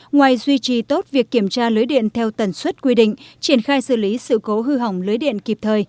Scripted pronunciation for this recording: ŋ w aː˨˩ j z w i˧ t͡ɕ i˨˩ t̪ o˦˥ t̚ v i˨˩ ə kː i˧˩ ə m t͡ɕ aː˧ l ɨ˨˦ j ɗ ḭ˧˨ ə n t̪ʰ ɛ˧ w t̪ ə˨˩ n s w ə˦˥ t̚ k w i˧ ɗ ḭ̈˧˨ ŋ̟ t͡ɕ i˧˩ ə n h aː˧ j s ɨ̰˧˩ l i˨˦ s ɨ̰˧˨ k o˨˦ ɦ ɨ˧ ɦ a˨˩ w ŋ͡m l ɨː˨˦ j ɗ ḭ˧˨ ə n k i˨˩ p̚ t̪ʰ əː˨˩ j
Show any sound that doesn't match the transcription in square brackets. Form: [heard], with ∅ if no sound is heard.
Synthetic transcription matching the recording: ŋ w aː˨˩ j z w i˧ t͡ɕ i˨˩ t̪ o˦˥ t̚ v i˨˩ ə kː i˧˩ ə m t͡ɕ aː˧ l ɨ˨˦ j ɗ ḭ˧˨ ə n t̪ʰ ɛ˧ w t̪ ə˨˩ n s w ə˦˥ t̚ k w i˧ ɗ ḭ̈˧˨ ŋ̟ t͡ɕ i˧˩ ə n [x] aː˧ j s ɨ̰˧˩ l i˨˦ s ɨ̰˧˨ k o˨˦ ɦ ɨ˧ ɦ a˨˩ w ŋ͡m l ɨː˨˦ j ɗ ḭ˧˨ ə n k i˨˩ p̚ t̪ʰ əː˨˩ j